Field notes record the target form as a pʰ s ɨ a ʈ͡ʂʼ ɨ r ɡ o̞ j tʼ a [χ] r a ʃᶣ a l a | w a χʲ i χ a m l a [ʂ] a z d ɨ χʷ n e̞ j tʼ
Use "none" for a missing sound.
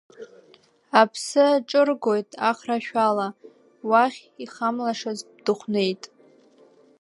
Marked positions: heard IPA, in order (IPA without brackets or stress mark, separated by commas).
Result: χ, ʂ